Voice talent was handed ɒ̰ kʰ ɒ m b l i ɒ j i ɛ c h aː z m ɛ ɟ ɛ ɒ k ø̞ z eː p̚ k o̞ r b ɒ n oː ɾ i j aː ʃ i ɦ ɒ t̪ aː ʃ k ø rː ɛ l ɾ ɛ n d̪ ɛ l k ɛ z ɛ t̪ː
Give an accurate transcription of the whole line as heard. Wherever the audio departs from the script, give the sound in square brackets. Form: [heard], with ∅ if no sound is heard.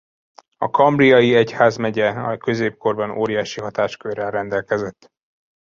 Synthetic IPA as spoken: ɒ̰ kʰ ɒ m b [r] i ɒ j i ɛ c h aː z m ɛ ɟ ɛ ɒ k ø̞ z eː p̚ k o̞ r b ɒ n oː ɾ i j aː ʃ i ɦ ɒ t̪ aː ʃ k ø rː ɛ l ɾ ɛ n d̪ ɛ l k ɛ z ɛ t̪ː